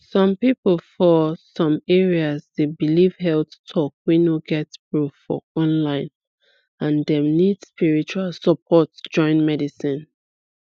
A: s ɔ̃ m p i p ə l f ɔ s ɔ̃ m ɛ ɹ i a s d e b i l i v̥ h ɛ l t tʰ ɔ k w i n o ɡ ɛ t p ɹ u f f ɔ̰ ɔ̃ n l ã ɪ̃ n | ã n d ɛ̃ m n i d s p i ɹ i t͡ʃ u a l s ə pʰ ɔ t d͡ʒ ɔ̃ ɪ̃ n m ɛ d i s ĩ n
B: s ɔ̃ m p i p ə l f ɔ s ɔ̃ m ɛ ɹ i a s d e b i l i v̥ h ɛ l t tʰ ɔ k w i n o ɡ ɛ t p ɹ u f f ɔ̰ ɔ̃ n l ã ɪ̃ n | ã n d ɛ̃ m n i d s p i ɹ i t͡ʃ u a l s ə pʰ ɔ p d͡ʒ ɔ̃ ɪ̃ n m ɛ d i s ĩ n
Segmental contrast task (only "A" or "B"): A